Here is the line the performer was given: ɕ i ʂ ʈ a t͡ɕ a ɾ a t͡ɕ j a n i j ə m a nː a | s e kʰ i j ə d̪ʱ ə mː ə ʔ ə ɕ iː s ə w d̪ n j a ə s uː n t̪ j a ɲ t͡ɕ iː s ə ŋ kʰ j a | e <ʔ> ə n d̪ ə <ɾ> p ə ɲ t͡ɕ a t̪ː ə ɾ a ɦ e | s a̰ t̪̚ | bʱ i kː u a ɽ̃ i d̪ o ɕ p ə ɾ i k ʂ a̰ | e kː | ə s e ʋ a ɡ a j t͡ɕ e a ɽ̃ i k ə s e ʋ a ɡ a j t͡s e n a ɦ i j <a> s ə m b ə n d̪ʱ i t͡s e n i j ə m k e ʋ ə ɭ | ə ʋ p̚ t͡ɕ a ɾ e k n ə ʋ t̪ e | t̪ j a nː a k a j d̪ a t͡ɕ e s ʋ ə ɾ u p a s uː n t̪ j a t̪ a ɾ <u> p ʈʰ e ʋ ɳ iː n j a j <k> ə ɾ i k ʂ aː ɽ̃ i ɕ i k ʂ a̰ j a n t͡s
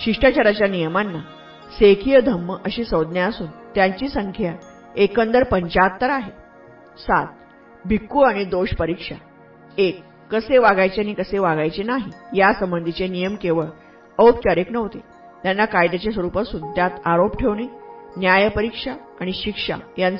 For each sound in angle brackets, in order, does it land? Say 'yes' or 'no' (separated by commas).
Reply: no, yes, yes, no, no